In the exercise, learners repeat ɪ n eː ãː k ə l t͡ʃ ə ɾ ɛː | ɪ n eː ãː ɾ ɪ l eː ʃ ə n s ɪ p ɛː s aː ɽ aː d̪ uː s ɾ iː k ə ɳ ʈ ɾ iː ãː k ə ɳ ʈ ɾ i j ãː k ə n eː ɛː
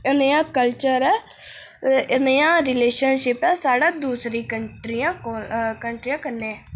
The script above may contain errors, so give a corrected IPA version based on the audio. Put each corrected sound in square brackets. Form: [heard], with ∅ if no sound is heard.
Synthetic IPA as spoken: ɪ n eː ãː k ə l t͡ʃ ə ɾ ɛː | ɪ n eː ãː ɾ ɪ l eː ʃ ə n [ʃ] ɪ p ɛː s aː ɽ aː d̪ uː s ɾ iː k ə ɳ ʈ ɾ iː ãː k ə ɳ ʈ ɾ i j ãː k ə n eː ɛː